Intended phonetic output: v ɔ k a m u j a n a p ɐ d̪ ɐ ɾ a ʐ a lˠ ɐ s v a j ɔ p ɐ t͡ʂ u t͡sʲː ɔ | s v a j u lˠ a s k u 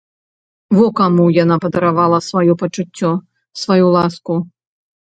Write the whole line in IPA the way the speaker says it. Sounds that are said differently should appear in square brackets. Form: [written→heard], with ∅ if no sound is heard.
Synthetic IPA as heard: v ɔ k a m u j a n a p ɐ d̪ ɐ ɾ a [ʐ→v] a lˠ ɐ s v a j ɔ p ɐ t͡ʂ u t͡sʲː ɔ | s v a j u lˠ a s k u

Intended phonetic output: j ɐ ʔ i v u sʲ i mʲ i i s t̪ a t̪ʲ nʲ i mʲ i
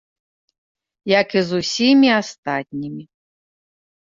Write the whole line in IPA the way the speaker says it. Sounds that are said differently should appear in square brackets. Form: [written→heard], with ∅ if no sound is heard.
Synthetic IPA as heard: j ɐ [ʔ→k] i [v→z] u sʲ i mʲ i [i→a] s t̪ a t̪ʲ nʲ i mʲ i

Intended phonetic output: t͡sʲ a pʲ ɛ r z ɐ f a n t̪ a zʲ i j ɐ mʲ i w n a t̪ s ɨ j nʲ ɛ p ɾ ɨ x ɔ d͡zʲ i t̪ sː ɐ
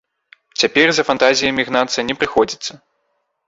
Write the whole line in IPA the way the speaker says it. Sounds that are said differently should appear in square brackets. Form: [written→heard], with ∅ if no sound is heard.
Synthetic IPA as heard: t͡sʲ a pʲ ɛ r z ɐ f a n t̪ a zʲ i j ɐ mʲ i [w→ɣ] n a t̪ s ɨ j nʲ ɛ p ɾ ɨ x ɔ d͡zʲ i t̪ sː ɐ

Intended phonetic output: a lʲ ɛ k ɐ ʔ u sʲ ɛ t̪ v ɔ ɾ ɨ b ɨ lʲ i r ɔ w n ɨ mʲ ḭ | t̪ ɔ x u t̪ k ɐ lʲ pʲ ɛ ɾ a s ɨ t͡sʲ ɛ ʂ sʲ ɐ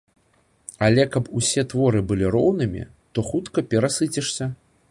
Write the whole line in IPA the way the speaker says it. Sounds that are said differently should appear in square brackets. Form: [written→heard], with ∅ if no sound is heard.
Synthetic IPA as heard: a lʲ ɛ k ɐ [ʔ→p] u sʲ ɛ t̪ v ɔ ɾ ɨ b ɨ lʲ i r ɔ w n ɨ mʲ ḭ | t̪ ɔ x u t̪ k ɐ [lʲ→∅] pʲ ɛ ɾ a s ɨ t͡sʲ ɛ ʂ sʲ ɐ

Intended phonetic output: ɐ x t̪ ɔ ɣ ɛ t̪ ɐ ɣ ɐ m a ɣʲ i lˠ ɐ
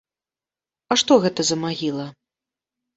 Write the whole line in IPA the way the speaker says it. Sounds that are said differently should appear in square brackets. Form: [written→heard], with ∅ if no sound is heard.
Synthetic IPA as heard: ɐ [x→ʂ] t̪ ɔ ɣ ɛ t̪ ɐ [ɣ→z] ɐ m a ɣʲ i lˠ ɐ

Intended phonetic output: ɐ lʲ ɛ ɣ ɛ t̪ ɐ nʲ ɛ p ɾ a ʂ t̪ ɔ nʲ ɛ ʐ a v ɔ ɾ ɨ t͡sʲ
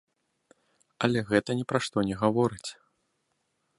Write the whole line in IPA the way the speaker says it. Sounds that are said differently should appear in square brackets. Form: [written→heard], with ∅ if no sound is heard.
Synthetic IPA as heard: ɐ lʲ ɛ ɣ ɛ t̪ ɐ nʲ ɛ p ɾ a ʂ t̪ ɔ nʲ ɛ [ʐ→ɣ] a v ɔ ɾ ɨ t͡sʲ

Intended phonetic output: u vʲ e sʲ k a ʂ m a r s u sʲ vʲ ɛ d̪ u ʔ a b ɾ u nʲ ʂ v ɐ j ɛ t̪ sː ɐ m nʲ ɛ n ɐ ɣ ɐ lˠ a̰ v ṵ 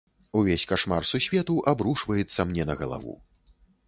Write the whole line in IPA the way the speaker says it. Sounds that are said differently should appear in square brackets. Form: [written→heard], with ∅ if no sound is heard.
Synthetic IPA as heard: u vʲ e sʲ k a ʂ m a r s u sʲ vʲ ɛ [d̪→t̪] u ʔ a b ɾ u [nʲ→∅] ʂ v ɐ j ɛ t̪ sː ɐ m nʲ ɛ n ɐ ɣ ɐ lˠ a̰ v ṵ

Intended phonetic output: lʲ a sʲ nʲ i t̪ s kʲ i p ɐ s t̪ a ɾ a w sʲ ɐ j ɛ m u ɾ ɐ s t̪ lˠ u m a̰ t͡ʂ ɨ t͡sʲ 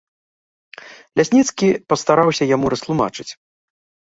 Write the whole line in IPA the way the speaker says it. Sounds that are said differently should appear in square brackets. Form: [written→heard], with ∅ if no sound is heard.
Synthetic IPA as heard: lʲ a sʲ nʲ i t̪ s kʲ i p ɐ s t̪ a ɾ a w sʲ ɐ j [ɛ→a] m u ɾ ɐ s t̪ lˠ u m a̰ t͡ʂ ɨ t͡sʲ

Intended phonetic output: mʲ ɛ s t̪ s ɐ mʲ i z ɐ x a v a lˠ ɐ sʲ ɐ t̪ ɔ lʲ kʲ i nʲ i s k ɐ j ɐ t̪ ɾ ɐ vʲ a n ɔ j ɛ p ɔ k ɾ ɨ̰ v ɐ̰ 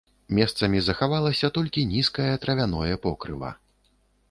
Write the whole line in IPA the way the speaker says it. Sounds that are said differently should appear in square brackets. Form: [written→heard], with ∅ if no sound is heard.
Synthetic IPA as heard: mʲ ɛ s t̪ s ɐ mʲ i z ɐ x a v a lˠ ɐ sʲ ɐ t̪ ɔ lʲ kʲ i nʲ i s k ɐ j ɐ t̪ ɾ ɐ vʲ a n ɔ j ɛ p ɔ k ɾ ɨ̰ v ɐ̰

